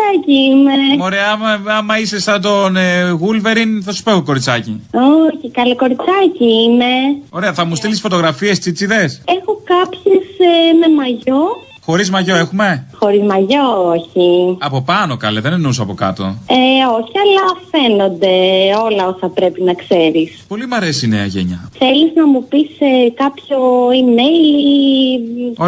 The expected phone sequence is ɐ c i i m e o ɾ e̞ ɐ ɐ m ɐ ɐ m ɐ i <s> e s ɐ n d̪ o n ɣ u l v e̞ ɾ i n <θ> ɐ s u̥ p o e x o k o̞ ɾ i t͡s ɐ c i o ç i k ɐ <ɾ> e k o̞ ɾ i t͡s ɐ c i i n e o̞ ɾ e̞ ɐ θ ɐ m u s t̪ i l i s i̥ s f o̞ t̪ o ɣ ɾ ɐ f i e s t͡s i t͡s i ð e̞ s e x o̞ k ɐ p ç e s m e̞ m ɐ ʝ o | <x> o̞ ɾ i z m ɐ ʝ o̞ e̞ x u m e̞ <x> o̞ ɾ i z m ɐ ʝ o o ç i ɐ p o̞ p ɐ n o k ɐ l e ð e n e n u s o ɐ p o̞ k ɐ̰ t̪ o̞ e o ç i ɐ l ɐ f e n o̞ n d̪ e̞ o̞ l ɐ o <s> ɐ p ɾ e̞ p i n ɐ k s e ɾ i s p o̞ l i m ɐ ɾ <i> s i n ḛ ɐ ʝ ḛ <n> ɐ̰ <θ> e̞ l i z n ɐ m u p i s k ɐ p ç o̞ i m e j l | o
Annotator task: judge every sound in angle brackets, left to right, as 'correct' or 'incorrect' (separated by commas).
correct, correct, incorrect, correct, correct, correct, incorrect, incorrect, correct